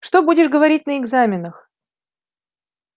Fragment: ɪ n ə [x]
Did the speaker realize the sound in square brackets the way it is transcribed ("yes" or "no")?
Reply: yes